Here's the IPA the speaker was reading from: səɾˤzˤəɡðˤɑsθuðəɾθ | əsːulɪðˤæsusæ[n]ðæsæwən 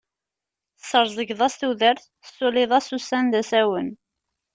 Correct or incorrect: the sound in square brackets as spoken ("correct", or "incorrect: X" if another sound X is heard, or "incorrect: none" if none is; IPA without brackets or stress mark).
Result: correct